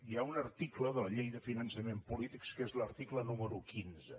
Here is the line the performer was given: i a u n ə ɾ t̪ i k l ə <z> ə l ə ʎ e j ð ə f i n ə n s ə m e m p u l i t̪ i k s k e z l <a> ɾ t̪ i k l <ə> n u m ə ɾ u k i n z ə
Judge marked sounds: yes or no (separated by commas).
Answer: no, no, yes